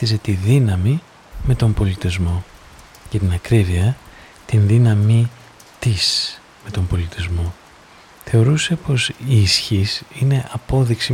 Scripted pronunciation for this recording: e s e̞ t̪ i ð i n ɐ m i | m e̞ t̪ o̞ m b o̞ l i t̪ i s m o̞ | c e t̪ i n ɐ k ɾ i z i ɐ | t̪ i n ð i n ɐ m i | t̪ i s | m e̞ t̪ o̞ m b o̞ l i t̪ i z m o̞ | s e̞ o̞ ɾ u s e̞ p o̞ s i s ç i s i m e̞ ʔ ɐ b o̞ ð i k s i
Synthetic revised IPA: i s e̞ t̪ i ð i n ɐ m i | m e̞ t̪ o̞ m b o̞ l i t̪ i z m o̞ | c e t̪ i n ɐ k ɾ i v i ɐ | t̪ i n ð i n ɐ m i | t̪ i s | m e̞ t̪ o̞ m b o̞ l i t̪ i z m o̞ | θ e̞ o̞ ɾ u s e̞ p o̞ s i s ç i s i n e̞ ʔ ɐ p o̞ ð i k s i